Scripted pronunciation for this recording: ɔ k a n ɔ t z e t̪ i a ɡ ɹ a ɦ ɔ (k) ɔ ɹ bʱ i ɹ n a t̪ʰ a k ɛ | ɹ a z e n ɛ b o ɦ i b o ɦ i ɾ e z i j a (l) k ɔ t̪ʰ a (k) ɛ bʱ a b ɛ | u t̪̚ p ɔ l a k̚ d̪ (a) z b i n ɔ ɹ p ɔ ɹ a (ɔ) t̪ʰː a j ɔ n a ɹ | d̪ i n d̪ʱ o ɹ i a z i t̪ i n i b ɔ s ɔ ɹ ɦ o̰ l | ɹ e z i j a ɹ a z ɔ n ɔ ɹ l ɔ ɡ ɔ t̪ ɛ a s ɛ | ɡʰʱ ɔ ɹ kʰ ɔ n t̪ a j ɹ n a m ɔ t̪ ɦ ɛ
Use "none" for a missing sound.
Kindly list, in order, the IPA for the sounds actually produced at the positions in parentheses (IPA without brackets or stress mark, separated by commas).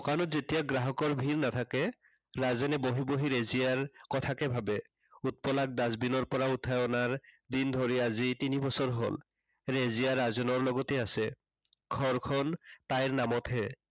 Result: k, ɹ, k, a, u